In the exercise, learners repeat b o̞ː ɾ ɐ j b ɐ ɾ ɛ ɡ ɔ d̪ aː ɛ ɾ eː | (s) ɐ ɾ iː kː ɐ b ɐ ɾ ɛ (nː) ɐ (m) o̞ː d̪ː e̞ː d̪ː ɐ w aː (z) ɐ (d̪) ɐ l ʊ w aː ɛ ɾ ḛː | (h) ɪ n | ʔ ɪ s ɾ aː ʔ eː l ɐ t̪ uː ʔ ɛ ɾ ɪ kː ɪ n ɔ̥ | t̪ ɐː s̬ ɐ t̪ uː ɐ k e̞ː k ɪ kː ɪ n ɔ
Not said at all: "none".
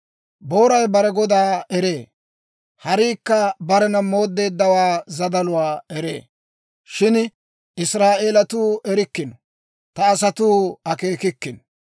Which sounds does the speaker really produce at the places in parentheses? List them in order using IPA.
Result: h, n, m, z, d̪, ʃ

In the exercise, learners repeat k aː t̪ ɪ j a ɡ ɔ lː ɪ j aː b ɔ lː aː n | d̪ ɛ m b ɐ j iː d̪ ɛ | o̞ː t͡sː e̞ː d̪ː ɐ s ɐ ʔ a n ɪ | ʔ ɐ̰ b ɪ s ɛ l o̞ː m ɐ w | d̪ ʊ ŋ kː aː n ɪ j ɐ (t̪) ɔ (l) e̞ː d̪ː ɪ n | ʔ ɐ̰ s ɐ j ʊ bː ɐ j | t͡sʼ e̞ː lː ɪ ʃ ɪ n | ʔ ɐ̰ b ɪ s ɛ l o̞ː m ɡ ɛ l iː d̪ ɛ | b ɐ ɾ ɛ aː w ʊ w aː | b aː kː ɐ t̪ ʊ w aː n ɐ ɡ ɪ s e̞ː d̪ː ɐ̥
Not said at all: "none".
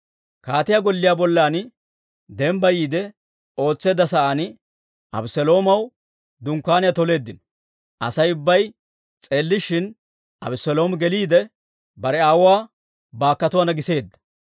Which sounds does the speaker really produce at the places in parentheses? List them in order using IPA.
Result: t̪, l

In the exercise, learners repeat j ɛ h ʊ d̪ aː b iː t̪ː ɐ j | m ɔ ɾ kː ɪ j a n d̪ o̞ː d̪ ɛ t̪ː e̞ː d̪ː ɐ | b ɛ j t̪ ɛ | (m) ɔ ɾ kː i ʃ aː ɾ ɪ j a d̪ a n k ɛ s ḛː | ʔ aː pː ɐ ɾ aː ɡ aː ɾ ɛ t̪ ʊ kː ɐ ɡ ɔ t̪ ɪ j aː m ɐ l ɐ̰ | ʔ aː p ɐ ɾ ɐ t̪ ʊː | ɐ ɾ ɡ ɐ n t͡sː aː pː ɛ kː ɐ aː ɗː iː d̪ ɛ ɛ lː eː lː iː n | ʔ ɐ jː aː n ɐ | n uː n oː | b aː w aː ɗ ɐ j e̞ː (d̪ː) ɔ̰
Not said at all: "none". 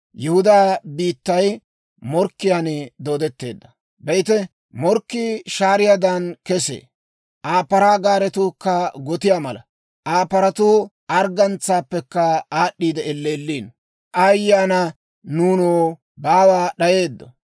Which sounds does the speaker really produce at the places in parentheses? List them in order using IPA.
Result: m, d̪ː

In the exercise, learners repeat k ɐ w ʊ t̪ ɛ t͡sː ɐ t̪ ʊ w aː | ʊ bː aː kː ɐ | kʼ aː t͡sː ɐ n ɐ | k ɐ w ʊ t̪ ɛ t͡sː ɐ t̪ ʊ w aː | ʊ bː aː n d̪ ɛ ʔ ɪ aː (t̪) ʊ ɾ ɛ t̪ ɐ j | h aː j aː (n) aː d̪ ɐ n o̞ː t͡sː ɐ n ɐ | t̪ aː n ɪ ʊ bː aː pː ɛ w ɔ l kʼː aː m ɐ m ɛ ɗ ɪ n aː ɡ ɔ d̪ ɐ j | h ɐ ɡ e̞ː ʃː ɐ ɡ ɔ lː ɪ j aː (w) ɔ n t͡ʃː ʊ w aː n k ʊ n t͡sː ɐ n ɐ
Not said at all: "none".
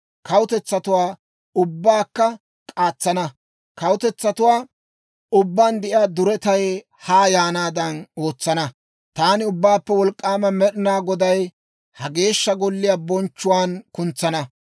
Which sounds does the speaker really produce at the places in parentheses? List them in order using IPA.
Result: d̪, n, b

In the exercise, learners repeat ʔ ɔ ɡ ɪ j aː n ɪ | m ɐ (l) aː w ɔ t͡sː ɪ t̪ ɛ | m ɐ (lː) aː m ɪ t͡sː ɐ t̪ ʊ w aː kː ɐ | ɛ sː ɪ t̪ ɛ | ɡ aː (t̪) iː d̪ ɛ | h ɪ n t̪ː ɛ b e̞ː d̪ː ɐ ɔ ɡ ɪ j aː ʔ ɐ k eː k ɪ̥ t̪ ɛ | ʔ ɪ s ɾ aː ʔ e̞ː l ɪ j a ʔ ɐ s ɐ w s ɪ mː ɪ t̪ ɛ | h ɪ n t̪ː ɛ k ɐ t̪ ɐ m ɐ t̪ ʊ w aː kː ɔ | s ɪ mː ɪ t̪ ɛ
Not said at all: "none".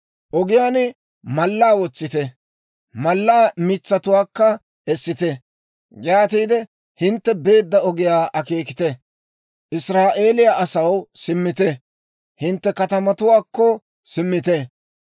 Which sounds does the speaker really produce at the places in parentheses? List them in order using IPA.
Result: lː, lː, t̪

